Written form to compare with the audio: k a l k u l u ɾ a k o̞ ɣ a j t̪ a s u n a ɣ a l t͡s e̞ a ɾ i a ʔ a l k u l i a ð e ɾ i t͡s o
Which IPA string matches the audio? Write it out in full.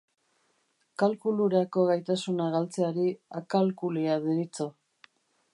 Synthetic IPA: k a l k u l u ɾ a k o̞ ɣ a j t̪ a s u n a ɣ a l t͡s e̞ a ɾ i a k a l k u l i a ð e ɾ i t͡s o